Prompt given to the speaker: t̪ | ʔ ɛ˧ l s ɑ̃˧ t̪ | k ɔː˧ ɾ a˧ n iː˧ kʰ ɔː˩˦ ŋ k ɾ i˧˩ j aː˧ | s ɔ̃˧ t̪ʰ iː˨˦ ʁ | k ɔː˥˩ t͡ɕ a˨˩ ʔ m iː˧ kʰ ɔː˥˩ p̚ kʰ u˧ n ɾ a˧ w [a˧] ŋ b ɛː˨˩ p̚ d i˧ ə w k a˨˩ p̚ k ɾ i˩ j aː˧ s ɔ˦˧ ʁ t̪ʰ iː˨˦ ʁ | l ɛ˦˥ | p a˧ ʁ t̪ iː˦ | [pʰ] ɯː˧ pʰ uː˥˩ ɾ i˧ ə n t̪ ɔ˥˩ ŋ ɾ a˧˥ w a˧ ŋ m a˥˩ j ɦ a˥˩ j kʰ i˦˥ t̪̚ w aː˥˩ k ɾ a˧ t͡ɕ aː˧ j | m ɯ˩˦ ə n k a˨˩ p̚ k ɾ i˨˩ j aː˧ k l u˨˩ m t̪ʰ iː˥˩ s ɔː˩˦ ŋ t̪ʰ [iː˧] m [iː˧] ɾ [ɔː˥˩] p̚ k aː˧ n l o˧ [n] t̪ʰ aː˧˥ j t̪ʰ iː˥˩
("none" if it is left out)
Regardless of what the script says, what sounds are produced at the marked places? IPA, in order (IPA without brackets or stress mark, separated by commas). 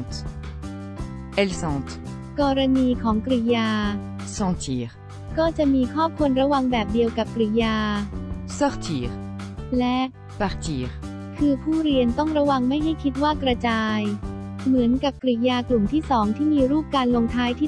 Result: a˧, kʰ, iː˥˩, iː˧, uː˥˩, ŋ